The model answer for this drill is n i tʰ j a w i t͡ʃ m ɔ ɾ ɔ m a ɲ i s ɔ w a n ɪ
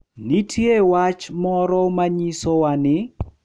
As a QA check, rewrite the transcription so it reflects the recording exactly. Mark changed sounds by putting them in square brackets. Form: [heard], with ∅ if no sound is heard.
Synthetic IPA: n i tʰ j [e] w [a] t͡ʃ m ɔ ɾ ɔ m a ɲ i s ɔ w a n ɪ